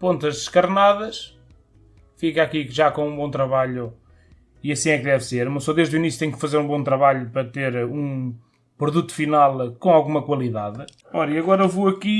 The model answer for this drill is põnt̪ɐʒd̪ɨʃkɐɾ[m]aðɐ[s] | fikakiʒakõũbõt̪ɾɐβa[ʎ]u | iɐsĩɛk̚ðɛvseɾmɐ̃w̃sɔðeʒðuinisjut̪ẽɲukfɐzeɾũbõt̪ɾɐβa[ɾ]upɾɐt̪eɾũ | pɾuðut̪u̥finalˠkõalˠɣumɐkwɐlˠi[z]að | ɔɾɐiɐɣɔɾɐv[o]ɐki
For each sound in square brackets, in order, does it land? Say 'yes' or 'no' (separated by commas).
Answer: no, no, yes, no, no, yes